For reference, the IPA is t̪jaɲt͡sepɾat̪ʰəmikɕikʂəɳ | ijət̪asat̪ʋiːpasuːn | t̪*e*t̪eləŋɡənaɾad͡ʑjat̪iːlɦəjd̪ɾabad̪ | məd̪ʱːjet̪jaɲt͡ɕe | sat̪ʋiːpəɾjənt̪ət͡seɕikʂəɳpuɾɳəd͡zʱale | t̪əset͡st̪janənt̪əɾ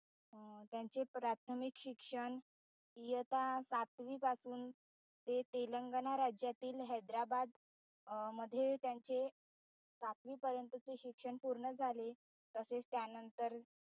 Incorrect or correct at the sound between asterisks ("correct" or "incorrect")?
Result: correct